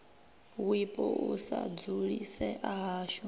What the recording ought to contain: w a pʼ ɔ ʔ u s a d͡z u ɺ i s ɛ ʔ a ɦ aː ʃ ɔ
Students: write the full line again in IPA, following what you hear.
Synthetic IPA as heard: w i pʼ ɔ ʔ u s a d͡z u ɺ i s ɛ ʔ a ɦ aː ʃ ɔ